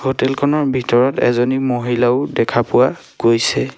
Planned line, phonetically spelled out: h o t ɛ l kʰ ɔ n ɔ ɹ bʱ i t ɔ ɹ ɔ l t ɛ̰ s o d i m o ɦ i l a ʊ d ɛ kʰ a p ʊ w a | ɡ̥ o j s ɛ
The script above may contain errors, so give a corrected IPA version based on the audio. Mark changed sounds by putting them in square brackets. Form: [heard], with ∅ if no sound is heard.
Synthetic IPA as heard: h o t ɛ l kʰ ɔ n ɔ ɹ bʱ i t ɔ ɹ ɔ [∅] t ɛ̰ [z] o [n] i m o ɦ i l a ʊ d ɛ kʰ a p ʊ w a | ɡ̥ o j s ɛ